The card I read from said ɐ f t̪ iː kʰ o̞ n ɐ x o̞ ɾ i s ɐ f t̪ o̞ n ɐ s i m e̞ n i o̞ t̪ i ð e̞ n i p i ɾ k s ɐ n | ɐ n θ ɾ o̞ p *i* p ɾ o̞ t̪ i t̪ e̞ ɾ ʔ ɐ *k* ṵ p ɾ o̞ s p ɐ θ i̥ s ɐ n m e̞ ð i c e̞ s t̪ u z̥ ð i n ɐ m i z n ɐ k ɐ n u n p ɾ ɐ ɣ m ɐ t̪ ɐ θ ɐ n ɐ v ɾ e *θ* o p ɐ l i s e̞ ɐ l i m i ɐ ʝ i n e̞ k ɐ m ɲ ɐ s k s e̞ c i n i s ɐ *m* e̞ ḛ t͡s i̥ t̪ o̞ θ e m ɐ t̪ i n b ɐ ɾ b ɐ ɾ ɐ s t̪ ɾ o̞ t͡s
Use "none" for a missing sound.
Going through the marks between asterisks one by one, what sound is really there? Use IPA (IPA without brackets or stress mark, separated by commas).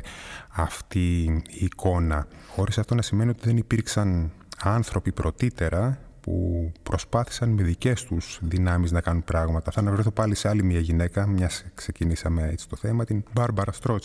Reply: i, p, θ, m